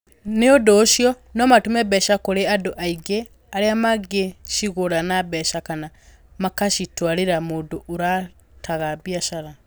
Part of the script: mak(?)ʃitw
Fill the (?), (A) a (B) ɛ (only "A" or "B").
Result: A